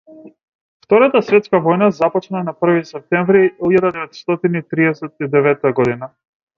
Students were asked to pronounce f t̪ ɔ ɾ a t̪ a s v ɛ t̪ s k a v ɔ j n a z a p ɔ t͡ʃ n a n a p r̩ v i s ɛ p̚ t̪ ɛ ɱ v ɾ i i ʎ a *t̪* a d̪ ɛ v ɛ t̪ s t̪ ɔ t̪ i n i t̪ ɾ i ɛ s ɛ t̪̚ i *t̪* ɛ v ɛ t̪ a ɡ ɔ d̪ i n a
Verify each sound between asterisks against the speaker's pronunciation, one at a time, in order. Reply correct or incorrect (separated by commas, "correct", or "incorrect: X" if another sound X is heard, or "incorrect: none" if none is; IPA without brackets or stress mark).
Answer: incorrect: d̪, incorrect: d̪